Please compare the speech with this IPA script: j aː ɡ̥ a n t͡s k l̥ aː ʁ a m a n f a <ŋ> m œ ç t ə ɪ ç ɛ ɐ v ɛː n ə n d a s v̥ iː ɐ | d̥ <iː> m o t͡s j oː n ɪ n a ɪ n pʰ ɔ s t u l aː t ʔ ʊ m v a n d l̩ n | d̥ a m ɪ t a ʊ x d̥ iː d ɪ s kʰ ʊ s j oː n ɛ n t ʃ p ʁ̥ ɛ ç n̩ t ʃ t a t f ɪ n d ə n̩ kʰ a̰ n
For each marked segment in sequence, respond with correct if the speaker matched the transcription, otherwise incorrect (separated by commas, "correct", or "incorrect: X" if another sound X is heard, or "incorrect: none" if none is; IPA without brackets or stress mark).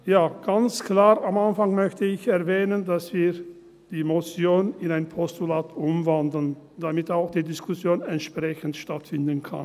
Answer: correct, correct